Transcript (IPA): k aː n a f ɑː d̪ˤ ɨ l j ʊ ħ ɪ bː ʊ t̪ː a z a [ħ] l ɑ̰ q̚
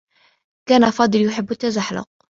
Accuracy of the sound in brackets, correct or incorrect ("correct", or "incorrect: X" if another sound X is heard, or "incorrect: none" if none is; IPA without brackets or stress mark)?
correct